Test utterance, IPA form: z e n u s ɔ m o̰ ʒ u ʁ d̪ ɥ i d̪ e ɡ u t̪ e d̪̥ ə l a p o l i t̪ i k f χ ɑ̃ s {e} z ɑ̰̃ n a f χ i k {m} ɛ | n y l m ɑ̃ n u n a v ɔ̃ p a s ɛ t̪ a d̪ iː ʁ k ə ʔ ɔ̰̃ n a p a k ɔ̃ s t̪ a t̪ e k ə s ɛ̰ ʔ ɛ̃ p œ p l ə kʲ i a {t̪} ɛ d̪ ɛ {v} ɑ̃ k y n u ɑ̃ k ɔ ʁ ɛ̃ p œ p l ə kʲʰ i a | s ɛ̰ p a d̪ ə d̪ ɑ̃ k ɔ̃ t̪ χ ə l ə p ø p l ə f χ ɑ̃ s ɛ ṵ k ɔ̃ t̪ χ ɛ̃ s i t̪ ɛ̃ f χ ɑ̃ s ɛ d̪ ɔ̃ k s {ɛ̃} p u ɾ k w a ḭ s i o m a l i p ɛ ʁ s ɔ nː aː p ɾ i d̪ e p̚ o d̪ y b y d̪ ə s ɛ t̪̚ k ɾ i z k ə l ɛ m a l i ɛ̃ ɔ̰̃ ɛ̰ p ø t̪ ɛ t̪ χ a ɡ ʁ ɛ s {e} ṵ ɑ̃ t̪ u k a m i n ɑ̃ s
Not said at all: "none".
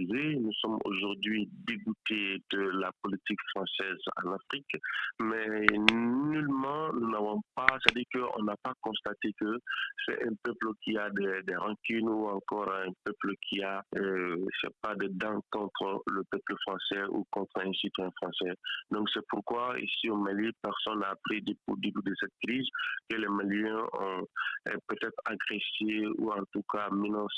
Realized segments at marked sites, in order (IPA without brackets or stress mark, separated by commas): ɛ, m, d̪, ʁ, ɛ, e